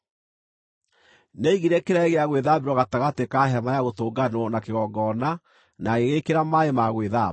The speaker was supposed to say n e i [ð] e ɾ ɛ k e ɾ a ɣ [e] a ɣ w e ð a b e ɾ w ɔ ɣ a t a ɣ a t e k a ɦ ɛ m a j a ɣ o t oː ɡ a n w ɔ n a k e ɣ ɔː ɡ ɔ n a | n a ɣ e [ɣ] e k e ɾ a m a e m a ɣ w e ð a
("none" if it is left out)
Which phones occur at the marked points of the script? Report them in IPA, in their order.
ɣ, e, ɣ

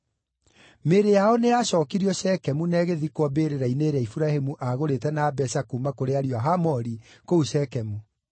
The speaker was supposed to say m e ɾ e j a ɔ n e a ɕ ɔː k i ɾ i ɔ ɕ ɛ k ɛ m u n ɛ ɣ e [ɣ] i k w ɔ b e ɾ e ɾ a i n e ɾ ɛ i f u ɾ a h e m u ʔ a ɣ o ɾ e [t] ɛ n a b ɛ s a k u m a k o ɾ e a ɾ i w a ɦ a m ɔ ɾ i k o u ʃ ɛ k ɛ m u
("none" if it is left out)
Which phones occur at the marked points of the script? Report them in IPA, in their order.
ð, t

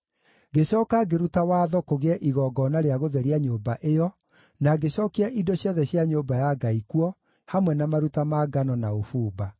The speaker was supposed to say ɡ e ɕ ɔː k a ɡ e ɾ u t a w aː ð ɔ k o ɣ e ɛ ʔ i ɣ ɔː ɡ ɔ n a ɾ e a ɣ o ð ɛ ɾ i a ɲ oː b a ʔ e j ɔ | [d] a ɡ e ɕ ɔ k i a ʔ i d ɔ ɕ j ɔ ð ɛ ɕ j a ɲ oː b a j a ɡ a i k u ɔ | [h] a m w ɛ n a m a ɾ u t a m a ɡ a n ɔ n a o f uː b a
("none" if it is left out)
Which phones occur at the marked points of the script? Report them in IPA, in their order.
n, h

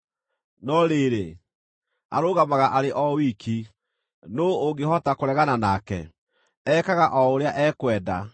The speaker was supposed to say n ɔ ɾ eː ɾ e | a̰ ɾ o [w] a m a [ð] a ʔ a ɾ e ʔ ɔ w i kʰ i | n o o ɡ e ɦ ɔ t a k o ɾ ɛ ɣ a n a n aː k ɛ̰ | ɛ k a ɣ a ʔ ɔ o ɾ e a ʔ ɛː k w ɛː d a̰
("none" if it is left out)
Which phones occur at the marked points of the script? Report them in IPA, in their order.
ɣ, ɣ

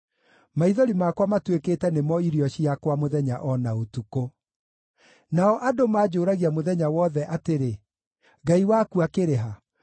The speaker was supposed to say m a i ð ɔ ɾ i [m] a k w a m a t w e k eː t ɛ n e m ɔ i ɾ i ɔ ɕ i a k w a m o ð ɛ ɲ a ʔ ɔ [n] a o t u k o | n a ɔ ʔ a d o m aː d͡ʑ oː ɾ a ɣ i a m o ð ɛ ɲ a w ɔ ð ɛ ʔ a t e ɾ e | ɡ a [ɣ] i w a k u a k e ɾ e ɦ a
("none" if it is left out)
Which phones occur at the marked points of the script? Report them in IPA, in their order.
m, n, none

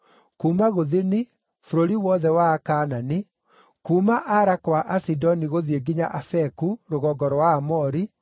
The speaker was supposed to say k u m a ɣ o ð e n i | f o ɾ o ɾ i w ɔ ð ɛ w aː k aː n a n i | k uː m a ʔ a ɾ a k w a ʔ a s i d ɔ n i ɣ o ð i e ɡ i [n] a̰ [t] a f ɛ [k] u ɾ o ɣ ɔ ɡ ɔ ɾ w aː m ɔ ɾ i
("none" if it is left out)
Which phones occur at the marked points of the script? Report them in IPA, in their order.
ɲ, ʔ, k

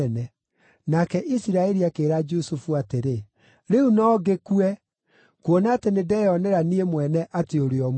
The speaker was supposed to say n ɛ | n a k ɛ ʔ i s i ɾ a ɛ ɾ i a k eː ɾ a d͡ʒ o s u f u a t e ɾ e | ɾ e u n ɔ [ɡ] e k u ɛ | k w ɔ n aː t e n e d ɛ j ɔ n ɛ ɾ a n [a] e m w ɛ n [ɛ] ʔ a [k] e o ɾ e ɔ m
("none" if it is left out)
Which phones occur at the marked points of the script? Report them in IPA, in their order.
ɡ, i, ɛ, t

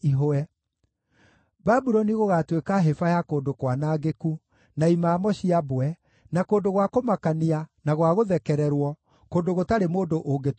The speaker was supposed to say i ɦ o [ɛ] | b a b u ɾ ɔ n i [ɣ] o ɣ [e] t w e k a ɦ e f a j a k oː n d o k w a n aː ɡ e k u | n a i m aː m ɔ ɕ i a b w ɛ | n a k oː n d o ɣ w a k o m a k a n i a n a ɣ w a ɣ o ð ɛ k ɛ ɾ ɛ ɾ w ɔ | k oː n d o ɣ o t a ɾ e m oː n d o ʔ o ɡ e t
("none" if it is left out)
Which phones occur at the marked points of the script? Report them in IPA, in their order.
ɛ, ɣ, a

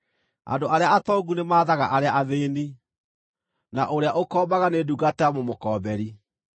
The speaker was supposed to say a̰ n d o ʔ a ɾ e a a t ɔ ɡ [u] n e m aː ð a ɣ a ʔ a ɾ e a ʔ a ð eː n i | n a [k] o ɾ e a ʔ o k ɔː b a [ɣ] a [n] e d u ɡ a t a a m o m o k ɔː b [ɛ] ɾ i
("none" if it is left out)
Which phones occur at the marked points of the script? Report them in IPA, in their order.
u, ʔ, ɣ, n, ɛ

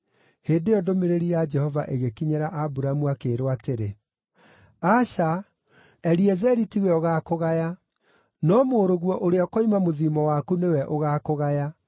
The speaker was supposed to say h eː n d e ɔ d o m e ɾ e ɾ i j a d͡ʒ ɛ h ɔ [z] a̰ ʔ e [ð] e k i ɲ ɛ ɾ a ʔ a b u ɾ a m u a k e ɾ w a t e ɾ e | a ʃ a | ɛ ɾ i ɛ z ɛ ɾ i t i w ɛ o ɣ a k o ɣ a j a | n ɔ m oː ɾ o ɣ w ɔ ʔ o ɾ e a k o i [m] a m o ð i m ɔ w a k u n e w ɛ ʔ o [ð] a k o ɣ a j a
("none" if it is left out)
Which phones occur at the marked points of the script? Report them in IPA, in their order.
v, ɣ, m, ɣ

